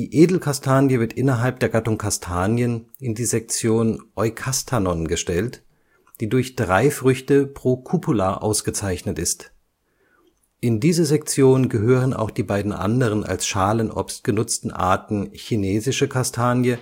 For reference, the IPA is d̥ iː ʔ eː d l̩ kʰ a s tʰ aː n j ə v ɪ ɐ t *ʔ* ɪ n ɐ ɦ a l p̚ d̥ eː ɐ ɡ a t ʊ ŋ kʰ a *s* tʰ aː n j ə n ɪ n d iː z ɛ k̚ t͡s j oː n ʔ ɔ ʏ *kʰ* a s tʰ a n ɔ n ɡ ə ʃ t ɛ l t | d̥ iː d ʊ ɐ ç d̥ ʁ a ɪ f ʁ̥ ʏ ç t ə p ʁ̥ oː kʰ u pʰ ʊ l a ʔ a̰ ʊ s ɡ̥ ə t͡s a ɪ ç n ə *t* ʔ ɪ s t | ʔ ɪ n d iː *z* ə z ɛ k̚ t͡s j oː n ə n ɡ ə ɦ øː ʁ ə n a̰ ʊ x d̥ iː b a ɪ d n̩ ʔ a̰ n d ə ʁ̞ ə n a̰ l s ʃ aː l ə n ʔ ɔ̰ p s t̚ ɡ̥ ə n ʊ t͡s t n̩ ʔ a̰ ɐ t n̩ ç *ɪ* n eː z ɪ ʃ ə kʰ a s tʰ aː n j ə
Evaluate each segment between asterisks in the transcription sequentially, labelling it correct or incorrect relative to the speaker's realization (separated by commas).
correct, correct, correct, correct, correct, incorrect